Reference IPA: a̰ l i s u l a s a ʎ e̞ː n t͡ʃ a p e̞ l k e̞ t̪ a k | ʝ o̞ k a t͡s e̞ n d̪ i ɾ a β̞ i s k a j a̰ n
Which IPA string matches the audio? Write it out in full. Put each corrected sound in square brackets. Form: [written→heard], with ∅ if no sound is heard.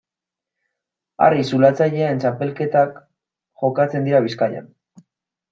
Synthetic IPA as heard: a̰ [l→r] i s u l a [s→t͡s] a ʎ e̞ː n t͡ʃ a p e̞ l k e̞ t̪ a k | ʝ o̞ k a t͡s e̞ n d̪ i ɾ a β̞ i s k a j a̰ n